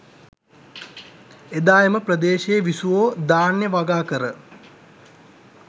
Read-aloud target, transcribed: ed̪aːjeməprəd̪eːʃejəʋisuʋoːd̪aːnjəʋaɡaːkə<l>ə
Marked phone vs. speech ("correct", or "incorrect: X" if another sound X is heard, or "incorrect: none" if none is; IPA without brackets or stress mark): incorrect: ɾ